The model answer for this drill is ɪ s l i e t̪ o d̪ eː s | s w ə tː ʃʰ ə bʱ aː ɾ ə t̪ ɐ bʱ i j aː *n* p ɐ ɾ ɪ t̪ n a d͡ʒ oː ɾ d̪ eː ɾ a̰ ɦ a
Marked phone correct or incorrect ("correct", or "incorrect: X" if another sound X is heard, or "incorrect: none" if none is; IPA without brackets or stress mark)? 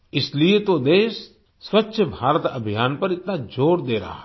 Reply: correct